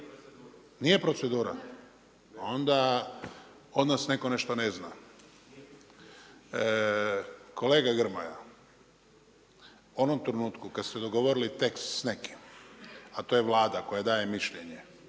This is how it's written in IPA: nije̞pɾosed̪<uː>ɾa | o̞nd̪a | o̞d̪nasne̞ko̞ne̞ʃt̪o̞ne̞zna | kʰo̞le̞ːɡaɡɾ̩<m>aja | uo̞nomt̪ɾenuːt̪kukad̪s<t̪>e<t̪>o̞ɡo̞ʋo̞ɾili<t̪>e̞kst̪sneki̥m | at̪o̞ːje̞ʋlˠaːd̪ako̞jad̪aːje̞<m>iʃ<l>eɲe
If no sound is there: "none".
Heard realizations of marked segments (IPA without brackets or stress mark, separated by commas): uː, m, t̪, d̪, t̪, m, ʎ